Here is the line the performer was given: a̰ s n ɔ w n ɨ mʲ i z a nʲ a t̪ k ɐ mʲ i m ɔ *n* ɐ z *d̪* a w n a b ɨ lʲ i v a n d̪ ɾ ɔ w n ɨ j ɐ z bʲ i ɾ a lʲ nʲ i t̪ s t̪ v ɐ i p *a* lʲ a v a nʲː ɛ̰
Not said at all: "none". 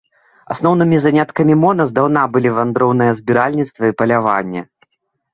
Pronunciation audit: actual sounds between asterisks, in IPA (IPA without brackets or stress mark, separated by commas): n, d̪, ɐ